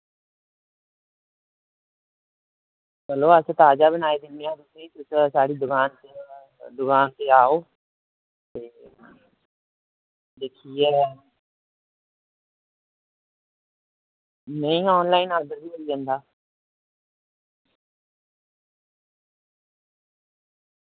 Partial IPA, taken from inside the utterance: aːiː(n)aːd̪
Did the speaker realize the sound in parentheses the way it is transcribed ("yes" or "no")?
yes